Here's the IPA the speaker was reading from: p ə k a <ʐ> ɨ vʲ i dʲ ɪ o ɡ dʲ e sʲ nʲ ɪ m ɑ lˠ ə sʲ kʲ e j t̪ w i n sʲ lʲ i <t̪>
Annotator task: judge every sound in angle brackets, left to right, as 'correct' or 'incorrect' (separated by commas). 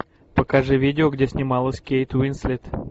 correct, correct